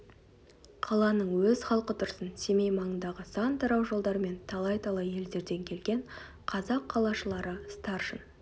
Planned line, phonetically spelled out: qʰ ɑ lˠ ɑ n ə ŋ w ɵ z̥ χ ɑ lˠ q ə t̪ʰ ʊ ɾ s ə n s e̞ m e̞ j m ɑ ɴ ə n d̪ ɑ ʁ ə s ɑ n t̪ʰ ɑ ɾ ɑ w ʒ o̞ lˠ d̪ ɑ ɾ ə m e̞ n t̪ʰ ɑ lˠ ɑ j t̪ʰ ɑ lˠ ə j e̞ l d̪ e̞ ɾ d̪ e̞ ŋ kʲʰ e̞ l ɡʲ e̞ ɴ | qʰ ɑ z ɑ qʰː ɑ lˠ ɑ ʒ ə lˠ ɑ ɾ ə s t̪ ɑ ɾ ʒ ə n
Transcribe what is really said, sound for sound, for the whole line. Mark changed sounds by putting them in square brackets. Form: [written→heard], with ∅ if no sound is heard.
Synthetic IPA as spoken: qʰ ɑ lˠ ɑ n ə [ŋ→ɴ] w ɵ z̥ χ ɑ lˠ q ə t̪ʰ ʊ ɾ s ə n s e̞ m e̞ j m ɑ ɴ ə n d̪ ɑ ʁ ə s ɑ n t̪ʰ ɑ ɾ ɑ w ʒ o̞ lˠ d̪ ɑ ɾ ə m e̞ n t̪ʰ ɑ lˠ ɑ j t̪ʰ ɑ lˠ [ə→ɑ] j e̞ l d̪ e̞ ɾ d̪ e̞ ŋ kʲʰ e̞ l ɡʲ e̞ ɴ | qʰ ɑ z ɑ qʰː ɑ lˠ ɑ [ʒ→ʃ] ə lˠ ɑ ɾ ə s t̪ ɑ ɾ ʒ ə n